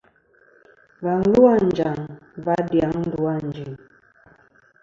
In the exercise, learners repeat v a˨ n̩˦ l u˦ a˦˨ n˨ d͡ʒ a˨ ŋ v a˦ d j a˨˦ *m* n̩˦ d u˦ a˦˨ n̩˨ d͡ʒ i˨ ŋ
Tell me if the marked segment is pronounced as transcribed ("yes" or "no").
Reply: no